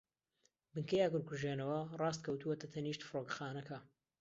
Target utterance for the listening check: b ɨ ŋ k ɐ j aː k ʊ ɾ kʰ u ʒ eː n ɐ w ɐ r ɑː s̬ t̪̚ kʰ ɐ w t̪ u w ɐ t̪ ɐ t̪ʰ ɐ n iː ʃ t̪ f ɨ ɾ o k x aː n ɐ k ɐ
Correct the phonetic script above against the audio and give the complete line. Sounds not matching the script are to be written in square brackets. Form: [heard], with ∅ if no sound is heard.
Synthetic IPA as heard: b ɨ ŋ k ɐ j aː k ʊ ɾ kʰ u ʒ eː n ɐ w ɐ r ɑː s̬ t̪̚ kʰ ɐ w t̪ u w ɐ t̪ ɐ t̪ʰ ɐ n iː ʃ t̪ f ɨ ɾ o k x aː n ɐ k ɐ